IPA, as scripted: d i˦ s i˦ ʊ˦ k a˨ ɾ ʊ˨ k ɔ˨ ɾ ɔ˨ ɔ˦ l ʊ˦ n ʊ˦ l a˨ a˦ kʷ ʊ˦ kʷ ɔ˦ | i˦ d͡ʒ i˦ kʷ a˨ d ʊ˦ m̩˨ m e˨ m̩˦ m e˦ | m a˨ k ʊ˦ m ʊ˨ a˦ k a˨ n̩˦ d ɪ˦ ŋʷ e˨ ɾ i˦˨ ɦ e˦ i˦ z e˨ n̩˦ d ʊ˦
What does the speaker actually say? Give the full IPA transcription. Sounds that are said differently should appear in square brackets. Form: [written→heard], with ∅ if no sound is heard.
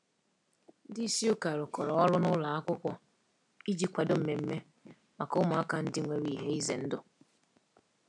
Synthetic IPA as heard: d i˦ s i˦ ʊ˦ k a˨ ɾ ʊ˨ k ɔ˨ ɾ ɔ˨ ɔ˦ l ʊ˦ n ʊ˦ l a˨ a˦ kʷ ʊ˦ kʷ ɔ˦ | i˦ d͡ʒ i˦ kʷ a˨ d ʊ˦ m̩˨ m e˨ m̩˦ m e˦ | m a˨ k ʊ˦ m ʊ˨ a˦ k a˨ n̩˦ d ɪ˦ ŋʷ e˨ ɾ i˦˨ ɦ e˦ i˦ z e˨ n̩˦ d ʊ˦